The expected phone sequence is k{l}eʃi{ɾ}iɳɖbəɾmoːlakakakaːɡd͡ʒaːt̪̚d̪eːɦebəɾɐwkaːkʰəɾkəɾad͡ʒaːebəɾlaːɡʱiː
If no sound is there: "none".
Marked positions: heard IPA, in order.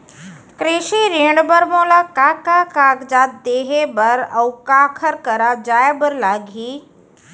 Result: ɾ, ɾ

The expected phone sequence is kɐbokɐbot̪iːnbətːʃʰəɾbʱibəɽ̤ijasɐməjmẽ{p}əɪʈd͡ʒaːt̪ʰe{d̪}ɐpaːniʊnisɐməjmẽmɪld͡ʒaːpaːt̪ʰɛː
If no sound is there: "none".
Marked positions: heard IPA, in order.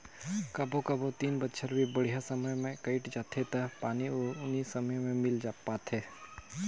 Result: k, t̪

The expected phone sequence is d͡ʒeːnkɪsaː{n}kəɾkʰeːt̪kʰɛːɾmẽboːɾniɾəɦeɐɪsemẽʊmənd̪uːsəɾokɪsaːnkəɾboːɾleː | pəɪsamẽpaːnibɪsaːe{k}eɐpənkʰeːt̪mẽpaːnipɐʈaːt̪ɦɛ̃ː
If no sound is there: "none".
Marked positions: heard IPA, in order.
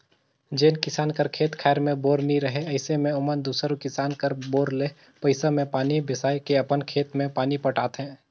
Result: n, k

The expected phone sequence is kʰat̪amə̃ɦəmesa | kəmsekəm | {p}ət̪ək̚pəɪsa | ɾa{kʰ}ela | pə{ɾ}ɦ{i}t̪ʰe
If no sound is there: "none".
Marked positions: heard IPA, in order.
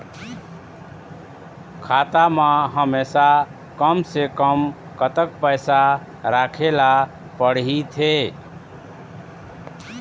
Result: k, kʰ, ɽ, i

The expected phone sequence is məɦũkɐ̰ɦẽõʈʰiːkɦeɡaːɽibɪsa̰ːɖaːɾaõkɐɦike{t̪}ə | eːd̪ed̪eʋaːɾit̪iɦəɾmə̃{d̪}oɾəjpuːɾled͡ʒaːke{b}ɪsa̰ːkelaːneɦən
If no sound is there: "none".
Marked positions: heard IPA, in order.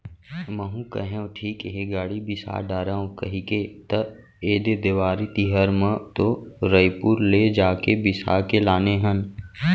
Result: t̪, t̪, b

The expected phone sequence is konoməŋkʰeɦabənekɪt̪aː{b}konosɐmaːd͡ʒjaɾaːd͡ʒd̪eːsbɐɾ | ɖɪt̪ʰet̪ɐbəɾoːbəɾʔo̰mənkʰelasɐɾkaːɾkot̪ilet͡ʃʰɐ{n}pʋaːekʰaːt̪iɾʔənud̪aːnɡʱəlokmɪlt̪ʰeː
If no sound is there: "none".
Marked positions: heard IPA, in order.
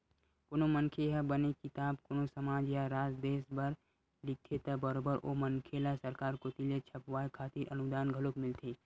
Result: b, none

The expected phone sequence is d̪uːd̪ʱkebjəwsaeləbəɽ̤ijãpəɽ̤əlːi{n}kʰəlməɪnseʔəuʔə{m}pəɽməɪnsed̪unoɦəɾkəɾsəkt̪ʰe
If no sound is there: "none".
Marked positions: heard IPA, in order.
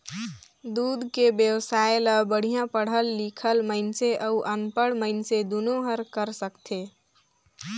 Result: none, n

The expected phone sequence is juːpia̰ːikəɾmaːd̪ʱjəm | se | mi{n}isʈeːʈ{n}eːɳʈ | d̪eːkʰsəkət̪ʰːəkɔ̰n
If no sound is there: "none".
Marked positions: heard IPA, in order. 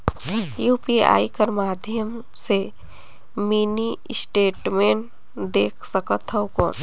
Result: n, m

